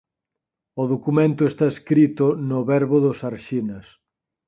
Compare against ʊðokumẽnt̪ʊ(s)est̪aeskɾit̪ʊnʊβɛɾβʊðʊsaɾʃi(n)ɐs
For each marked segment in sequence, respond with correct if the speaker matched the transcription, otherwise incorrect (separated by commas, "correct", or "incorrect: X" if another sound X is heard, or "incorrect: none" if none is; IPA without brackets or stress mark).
incorrect: none, correct